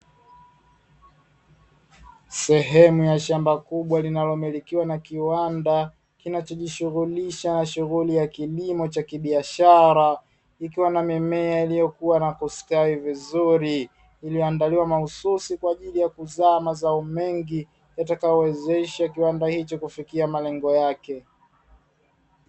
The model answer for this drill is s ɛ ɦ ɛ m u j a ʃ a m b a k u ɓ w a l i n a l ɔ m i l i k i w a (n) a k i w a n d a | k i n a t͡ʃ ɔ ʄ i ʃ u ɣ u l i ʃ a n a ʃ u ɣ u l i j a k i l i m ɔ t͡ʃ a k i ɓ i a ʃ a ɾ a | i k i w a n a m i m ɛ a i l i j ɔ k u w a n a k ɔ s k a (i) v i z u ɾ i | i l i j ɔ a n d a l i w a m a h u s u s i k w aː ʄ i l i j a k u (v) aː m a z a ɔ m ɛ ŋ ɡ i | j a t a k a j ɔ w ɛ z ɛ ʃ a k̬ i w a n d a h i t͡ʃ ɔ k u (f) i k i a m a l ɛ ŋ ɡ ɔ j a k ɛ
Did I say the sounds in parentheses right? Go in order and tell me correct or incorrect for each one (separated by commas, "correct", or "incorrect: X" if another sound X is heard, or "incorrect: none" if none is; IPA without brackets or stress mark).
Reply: correct, correct, incorrect: z, correct